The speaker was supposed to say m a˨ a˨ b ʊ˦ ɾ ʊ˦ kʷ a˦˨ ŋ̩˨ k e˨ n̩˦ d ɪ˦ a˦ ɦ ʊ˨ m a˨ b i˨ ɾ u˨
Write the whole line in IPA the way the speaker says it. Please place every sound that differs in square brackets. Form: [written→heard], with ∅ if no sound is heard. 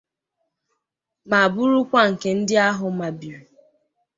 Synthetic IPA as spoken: m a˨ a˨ b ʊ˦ ɾ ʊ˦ kʷ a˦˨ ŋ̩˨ k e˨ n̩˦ d ɪ˦ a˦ ɦ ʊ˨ m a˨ b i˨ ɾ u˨